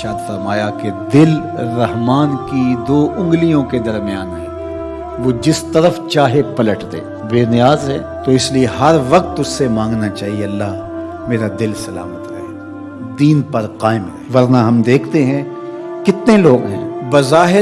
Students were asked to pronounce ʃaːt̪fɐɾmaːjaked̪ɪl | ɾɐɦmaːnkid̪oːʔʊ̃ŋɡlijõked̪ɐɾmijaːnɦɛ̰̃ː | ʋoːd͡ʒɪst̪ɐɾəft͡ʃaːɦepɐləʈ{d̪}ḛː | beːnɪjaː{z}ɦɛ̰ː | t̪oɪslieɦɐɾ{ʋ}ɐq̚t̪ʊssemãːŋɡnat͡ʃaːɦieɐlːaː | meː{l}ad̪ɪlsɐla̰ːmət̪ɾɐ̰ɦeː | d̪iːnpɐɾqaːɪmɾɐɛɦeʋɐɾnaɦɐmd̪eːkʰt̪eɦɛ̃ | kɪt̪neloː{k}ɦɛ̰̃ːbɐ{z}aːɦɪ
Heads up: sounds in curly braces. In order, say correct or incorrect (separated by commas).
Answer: correct, correct, correct, incorrect, incorrect, correct